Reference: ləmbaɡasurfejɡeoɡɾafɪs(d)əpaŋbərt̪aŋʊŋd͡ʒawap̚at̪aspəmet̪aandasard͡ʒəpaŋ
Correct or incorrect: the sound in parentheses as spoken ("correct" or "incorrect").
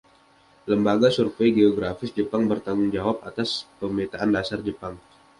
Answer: incorrect